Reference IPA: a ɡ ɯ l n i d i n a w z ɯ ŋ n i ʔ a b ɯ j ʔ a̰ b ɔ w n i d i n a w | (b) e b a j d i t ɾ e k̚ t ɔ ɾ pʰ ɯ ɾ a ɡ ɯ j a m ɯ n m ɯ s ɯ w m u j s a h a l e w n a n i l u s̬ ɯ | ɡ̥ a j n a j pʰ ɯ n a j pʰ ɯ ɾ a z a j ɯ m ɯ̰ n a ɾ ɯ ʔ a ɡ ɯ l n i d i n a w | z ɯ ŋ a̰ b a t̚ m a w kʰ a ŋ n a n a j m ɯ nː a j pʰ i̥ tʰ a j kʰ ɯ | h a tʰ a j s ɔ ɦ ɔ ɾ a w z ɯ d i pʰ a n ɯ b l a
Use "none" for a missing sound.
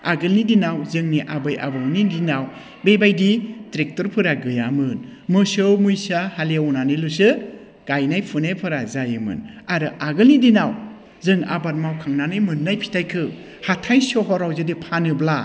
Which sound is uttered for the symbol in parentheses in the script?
b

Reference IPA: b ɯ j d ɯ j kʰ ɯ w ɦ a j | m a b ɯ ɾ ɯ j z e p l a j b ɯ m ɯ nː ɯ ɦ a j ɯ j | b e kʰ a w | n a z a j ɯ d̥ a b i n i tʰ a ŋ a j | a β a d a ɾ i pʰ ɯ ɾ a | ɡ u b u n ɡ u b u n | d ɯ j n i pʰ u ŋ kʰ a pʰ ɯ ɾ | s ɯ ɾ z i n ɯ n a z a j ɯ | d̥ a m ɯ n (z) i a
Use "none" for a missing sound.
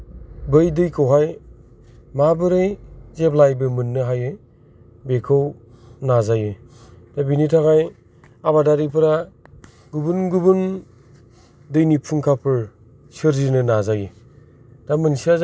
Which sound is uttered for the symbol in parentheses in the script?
s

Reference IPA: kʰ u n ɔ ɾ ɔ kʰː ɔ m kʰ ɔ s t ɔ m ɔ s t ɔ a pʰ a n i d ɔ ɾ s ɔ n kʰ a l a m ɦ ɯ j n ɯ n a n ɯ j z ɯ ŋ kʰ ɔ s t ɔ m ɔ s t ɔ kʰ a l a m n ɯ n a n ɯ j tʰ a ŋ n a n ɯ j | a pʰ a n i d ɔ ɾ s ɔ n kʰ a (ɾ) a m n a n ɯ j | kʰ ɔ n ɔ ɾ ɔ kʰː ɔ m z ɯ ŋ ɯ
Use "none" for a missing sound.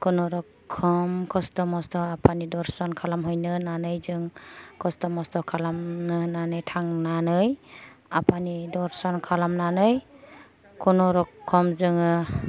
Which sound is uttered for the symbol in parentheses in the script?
l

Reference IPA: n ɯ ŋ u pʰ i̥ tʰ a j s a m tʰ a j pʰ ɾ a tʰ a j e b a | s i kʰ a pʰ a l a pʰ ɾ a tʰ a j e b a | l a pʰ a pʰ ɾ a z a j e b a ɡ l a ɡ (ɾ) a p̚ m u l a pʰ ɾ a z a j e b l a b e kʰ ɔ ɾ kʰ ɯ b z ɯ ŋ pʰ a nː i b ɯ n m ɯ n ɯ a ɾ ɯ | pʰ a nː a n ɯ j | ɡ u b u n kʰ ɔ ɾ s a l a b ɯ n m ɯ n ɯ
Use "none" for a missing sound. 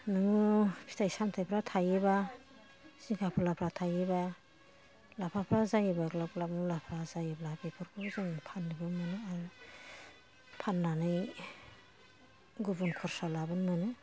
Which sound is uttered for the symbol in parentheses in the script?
l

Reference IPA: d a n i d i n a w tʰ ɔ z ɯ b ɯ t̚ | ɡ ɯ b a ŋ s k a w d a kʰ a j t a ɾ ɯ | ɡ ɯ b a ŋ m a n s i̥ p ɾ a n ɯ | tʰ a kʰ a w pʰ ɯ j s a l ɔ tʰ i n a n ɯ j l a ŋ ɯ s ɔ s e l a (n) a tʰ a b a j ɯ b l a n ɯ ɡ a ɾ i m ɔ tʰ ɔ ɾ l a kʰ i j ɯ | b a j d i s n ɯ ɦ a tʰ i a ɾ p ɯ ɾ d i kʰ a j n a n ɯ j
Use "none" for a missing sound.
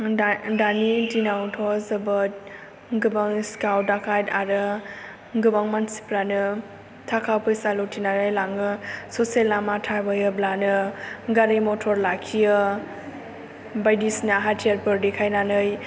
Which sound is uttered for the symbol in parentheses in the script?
m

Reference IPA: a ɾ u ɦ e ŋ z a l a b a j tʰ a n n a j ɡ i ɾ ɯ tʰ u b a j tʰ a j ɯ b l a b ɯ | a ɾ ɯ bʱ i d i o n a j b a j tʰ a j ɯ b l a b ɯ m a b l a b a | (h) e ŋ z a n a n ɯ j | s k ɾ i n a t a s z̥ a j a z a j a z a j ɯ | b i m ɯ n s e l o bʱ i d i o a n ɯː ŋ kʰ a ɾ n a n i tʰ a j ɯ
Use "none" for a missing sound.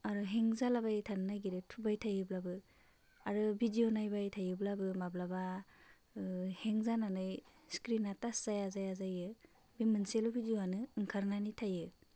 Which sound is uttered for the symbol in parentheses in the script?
h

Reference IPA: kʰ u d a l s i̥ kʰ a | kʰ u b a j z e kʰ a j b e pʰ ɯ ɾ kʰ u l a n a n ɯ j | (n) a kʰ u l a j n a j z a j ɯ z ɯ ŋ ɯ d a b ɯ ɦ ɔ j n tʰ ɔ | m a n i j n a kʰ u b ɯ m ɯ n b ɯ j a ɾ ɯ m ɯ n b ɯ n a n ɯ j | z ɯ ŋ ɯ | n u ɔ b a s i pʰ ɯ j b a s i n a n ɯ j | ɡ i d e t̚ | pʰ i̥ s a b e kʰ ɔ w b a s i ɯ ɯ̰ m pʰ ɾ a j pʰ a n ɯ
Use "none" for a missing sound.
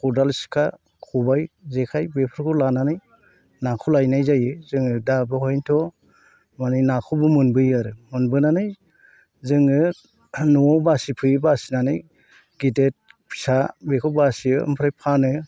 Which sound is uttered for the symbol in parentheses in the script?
n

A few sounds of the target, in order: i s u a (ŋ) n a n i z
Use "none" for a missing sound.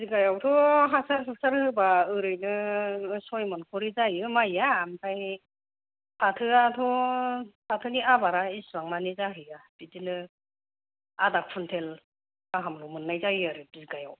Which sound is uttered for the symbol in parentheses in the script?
ŋ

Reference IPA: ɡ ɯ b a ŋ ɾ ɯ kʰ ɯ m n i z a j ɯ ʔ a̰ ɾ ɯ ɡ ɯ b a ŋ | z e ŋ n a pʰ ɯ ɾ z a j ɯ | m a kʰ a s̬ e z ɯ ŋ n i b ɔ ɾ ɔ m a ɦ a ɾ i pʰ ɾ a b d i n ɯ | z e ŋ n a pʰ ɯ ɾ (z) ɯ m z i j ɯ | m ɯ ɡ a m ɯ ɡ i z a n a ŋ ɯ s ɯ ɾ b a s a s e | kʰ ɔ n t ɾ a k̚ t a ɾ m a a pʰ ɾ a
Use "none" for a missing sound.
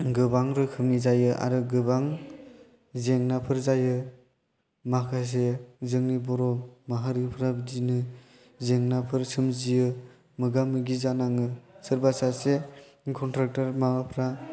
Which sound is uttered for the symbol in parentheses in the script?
s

